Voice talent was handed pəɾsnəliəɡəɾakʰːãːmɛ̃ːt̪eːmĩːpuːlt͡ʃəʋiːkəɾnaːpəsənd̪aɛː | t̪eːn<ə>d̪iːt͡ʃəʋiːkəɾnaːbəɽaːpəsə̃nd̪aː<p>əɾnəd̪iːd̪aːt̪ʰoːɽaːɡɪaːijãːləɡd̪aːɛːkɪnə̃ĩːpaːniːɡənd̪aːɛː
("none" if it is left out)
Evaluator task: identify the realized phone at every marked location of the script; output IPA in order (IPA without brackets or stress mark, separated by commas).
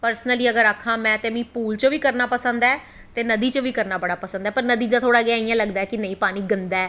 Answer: ə, p